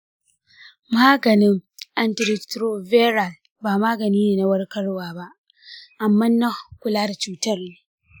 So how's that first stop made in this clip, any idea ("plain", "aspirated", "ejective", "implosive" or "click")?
plain